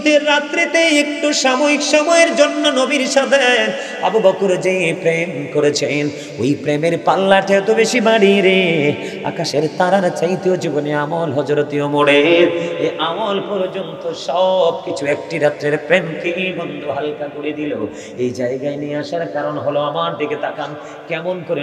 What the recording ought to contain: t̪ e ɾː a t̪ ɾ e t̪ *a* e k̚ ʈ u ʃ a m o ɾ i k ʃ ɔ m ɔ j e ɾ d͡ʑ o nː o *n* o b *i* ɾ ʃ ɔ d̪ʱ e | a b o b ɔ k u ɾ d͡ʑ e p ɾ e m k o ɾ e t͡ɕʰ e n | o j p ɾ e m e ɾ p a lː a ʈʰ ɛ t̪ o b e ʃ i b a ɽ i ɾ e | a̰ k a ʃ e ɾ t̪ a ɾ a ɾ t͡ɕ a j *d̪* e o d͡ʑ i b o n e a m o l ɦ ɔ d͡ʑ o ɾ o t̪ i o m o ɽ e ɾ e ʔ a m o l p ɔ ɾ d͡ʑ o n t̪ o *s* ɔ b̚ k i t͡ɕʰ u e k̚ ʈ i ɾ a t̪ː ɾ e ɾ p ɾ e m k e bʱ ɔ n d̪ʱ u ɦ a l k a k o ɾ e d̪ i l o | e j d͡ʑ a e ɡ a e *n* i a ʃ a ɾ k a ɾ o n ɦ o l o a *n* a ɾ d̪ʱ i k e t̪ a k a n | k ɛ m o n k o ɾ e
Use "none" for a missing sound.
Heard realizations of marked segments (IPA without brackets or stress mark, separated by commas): e, n, i, t̪, ʃ, n, m